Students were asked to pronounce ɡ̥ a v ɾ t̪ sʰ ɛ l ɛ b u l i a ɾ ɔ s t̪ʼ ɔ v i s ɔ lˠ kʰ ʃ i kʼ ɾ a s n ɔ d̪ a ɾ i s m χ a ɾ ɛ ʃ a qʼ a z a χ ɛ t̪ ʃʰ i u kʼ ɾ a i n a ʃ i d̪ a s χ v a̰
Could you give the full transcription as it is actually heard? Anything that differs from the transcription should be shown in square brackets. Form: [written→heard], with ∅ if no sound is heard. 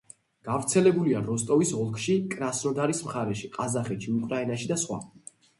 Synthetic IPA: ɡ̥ a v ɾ t̪ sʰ ɛ l ɛ b u l i a ɾ ɔ s t̪ʼ ɔ v i s ɔ lˠ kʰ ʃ i kʼ ɾ a s n ɔ d̪ a ɾ i s m χ a ɾ ɛ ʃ [a→i] qʼ a z a χ ɛ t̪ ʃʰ i u kʼ ɾ a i n a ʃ i d̪ a s χ [v→w] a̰